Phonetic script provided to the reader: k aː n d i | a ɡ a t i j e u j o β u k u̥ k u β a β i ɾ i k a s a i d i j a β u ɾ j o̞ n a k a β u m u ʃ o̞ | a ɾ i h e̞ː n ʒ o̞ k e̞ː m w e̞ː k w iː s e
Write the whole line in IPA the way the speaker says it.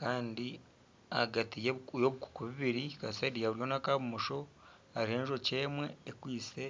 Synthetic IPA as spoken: k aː n d i | a ɡ a t i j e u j o β u k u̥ k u β i β i ɾ i k a s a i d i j a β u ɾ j o̞ n a k a β u m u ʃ o̞ | a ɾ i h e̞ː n ʒ o̞ c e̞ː m w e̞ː k w iː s e